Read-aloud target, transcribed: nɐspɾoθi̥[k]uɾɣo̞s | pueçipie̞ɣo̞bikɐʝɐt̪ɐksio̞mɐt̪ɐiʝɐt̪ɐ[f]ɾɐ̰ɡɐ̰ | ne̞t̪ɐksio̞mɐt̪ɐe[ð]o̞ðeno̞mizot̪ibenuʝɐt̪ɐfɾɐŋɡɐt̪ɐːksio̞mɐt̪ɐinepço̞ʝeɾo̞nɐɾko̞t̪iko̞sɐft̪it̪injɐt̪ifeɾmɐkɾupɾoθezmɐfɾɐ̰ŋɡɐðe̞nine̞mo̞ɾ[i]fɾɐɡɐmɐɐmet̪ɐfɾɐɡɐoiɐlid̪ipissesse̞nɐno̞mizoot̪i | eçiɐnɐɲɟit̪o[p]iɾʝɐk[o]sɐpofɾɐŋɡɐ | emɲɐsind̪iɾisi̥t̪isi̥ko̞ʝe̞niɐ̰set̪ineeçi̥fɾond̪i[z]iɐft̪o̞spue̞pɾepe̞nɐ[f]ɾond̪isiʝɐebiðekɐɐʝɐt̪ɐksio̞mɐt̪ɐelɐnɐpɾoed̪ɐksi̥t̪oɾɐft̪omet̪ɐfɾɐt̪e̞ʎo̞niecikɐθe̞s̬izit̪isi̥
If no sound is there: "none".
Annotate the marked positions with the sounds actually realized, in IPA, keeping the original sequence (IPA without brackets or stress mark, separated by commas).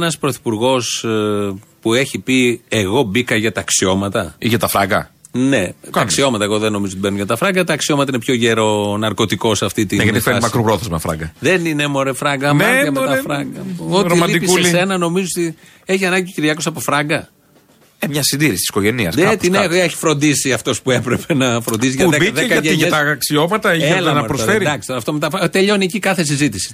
p, f, ɣ, e, c, o, s, f